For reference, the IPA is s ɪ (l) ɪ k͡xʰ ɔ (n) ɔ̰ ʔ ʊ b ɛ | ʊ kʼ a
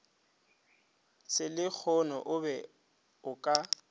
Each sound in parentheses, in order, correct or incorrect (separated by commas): correct, correct